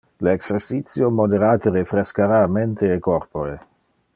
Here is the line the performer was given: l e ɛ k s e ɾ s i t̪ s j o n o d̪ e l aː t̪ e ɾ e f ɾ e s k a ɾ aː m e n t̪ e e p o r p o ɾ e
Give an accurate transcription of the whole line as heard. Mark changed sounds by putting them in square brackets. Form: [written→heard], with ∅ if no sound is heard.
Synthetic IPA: l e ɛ k s e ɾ s i t̪ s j o [n→m] o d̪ e [l→ɾ] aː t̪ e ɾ e f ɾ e s k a ɾ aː m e n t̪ e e [p→k] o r p o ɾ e